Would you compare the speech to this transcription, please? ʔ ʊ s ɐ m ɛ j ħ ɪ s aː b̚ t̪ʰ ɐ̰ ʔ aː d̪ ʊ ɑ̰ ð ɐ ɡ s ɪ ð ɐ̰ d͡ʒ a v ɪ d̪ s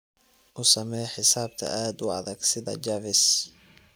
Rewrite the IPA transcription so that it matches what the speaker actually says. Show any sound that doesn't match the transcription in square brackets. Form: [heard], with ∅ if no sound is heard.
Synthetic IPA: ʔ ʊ s ɐ m ɛ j ħ ɪ s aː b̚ t̪ʰ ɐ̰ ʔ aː d̪ ʊ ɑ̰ ð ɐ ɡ s ɪ ð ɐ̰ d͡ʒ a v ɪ [∅] s

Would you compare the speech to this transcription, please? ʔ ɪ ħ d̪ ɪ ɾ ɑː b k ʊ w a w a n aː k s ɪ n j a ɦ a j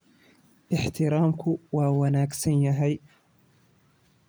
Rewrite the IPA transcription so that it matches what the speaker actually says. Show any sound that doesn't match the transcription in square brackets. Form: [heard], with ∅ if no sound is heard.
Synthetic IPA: ʔ ɪ ħ [t̪] ɪ ɾ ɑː [m] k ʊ w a w a n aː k s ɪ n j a ɦ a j

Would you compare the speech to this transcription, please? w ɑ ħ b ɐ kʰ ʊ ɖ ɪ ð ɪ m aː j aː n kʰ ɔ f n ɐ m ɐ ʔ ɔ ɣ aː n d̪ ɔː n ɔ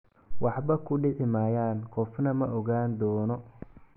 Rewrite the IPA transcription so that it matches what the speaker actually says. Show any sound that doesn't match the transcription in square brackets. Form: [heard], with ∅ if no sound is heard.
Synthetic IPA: w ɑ ħ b ɐ kʰ ʊ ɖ ɪ [ʕ] ɪ m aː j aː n kʰ ɔ f n ɐ m ɐ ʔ ɔ ɣ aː n d̪ ɔː n ɔ

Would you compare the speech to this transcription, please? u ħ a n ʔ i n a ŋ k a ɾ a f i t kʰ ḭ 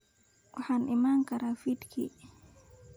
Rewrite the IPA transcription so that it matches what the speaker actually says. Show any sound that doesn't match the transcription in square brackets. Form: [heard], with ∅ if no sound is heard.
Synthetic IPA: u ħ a n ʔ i [m] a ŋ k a ɾ a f i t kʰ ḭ

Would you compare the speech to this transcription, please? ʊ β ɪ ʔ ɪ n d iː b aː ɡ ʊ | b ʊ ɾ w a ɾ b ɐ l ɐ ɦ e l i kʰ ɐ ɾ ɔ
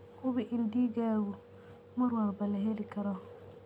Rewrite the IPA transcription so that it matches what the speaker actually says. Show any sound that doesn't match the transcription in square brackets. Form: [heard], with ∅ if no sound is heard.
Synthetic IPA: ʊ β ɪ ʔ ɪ n d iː [ɡ] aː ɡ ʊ | [m] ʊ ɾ w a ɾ b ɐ l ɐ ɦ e l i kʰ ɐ ɾ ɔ

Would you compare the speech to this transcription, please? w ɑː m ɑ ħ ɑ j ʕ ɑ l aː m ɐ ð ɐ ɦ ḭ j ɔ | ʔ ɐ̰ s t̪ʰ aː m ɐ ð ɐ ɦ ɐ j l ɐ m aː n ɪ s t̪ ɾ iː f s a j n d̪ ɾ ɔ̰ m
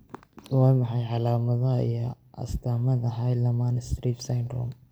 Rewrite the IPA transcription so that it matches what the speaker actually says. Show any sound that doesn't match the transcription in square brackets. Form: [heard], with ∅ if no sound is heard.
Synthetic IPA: w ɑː m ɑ ħ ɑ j ʕ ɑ l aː m ɐ ð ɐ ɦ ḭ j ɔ | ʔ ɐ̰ s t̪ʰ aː m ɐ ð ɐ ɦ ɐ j l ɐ m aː n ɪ s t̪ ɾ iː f s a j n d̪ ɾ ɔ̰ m

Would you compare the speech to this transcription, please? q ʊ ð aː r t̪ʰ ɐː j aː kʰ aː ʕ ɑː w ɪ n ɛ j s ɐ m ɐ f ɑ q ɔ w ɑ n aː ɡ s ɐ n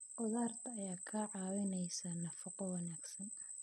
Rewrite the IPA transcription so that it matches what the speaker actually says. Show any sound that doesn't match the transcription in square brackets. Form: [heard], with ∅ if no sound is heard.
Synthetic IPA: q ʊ ð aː r t̪ʰ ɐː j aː kʰ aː ʕ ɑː w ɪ n ɛ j s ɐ [n] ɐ f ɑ q ɔ w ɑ n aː ɡ s ɐ n

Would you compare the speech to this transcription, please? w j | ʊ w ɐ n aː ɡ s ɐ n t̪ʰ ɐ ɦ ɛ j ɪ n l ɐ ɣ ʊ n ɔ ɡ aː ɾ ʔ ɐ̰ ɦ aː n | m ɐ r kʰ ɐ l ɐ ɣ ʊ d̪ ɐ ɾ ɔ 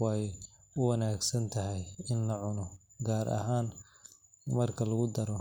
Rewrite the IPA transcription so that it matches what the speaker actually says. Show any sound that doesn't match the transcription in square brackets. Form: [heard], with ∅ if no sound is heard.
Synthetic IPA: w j | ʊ w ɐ n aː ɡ s ɐ n t̪ʰ ɐ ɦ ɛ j ɪ n l ɐ [ʕ] ʊ n ɔ ɡ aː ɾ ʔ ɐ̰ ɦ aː n | m ɐ r kʰ ɐ l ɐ ɣ ʊ d̪ ɐ ɾ ɔ

